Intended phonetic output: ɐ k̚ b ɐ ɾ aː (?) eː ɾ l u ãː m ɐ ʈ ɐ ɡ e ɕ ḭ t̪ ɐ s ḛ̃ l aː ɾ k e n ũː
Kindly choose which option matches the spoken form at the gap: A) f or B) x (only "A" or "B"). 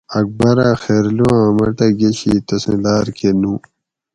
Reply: B